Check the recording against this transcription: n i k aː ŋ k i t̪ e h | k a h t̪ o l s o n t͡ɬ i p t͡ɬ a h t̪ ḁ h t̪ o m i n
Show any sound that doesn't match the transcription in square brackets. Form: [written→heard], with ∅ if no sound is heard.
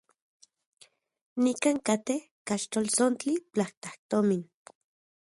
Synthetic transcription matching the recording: n i k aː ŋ k [i→a] t̪ e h | k a [h→ʃ] t̪ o l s o n t͡ɬ i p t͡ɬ a h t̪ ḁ h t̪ o m i n